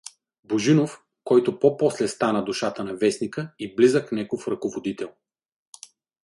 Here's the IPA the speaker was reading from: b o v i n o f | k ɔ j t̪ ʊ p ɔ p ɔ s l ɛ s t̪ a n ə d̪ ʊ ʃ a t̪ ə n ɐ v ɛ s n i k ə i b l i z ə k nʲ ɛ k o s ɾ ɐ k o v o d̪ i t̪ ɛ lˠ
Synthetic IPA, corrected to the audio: b o ʒ i n o f | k ɔ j t̪ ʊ p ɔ p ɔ s l ɛ s t̪ a n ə d̪ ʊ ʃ a t̪ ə n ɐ v ɛ s n i k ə i b l i z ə k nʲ ɛ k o f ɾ ɐ k o v o d̪ i t̪ ɛ lˠ